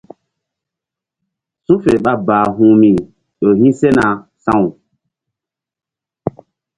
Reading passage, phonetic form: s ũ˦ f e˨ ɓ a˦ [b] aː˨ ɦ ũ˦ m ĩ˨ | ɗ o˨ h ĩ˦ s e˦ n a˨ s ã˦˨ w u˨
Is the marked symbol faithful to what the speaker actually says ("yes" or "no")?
yes